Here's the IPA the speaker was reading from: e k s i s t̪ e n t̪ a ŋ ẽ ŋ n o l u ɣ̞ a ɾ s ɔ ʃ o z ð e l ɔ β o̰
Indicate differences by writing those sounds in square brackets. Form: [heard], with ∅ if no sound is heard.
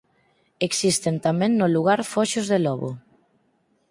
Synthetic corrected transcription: e k s i s t̪ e n t̪ a [m] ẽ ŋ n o l u ɣ̞ a ɾ [f] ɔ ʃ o z ð e l ɔ β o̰